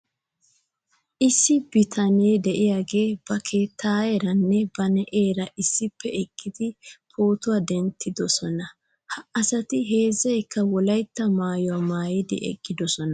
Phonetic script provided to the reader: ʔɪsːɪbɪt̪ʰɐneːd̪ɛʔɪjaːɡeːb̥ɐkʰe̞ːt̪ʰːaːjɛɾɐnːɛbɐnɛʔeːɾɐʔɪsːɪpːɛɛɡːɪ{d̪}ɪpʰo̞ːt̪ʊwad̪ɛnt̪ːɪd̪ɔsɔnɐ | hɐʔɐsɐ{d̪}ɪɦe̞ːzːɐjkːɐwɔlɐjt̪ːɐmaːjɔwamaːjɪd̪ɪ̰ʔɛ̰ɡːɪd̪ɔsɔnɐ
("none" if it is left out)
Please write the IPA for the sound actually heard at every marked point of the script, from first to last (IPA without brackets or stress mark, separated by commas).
d̪, t̪